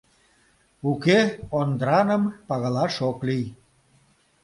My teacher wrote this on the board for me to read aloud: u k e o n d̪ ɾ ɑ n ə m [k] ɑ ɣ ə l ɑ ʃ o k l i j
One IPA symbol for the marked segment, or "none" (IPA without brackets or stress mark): p